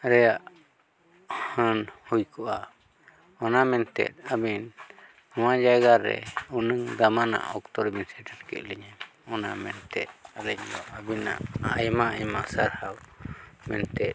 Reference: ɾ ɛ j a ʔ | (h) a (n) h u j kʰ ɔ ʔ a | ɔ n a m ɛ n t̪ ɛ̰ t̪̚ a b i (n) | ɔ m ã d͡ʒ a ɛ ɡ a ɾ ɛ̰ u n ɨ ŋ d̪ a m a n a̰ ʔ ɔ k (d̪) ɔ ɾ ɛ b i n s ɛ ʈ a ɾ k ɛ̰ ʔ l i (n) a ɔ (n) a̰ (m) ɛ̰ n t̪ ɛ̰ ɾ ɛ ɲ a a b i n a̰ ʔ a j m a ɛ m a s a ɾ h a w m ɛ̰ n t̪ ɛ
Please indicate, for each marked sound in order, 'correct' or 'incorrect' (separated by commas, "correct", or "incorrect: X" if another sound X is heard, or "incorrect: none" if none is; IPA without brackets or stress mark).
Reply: correct, correct, correct, incorrect: t̪, incorrect: ɲ, correct, correct